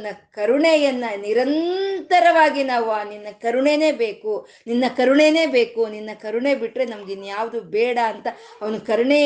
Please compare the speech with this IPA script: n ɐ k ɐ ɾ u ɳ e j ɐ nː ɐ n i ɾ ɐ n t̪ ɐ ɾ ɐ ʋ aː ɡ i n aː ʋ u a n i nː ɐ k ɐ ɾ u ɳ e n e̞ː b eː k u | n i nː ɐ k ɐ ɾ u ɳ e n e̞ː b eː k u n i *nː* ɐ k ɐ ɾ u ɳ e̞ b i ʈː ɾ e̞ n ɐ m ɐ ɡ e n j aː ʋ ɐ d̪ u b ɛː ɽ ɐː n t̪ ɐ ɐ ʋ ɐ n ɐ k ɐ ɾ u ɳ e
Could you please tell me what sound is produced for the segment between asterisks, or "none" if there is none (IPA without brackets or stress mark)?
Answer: nː